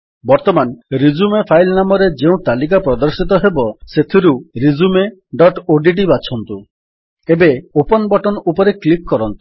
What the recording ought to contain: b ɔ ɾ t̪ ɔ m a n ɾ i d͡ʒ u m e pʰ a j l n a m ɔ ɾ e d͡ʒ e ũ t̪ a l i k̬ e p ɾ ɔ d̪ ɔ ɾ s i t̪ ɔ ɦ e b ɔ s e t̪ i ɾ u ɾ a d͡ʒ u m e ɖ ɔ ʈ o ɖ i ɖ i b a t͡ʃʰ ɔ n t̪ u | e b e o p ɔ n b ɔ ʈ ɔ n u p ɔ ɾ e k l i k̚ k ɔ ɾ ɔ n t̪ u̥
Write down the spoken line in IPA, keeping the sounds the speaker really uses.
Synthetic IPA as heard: b ɔ ɾ t̪ ɔ m a n ɾ i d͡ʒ u m e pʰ a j l n a m ɔ ɾ e d͡ʒ e ũ t̪ a l i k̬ a p ɾ ɔ d̪ ɔ ɾ s i t̪ ɔ ɦ e b ɔ s e t̪ʰ i ɾ u ɾ i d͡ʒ u m e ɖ ɔ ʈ o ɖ i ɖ i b a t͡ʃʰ ɔ n t̪ u | e b e o p ɔ n b ɔ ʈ ɔ n u p ɔ ɾ e k l i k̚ k ɔ ɾ ɔ n t̪ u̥